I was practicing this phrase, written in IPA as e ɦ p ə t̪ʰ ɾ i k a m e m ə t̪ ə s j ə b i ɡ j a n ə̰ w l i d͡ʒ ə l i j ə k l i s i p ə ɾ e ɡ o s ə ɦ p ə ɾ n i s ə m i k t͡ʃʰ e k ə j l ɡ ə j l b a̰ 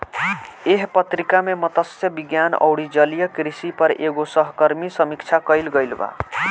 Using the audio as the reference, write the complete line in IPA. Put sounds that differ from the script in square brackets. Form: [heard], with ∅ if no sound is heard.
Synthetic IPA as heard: e ɦ p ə [t̪] ɾ i k a m e m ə t̪ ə s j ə b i ɡ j a n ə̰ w [ɽ] i d͡ʒ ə l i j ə k [ɾ] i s i p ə ɾ e ɡ o s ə ɦ [k] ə ɾ [m] i s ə m i k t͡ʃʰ [a] k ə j l ɡ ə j l b a̰

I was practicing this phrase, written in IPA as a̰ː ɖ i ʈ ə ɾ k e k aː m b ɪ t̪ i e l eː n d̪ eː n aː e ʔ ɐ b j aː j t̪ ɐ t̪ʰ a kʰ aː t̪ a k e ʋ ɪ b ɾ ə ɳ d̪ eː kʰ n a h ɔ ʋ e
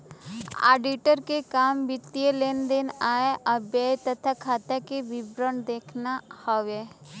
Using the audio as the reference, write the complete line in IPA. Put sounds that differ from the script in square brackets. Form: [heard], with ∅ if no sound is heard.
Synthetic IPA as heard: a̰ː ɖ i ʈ ə ɾ k e k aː m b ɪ t̪ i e l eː n d̪ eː n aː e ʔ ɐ b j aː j t̪ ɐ t̪ʰ a kʰ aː t̪ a k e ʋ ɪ b ɾ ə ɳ d̪ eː kʰ n a h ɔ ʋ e

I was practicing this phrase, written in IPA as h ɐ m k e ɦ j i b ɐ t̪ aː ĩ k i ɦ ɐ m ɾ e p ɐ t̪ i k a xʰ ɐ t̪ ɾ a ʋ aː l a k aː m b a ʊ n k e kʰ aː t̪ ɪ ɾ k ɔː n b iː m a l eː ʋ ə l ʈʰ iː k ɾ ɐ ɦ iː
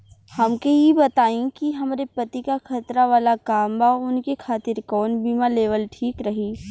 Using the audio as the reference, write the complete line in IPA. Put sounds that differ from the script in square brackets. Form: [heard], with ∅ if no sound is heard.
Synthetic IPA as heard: h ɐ m k e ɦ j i b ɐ t̪ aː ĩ k i ɦ ɐ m ɾ e p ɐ t̪ i k a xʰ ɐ t̪ ɾ a ʋ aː l a k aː m b a ʊ n k e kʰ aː t̪ ɪ ɾ k ɔː n b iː m a l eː ʋ ə l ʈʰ iː k ɾ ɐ ɦ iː

